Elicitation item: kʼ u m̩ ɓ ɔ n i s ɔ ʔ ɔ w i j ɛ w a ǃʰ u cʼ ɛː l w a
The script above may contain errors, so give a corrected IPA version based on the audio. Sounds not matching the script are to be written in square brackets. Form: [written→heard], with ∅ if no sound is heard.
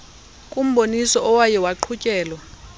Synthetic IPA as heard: kʼ u m̩ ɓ [ɔ→o] n i s ɔ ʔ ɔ w [i→a] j ɛ w a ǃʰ u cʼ ɛː l w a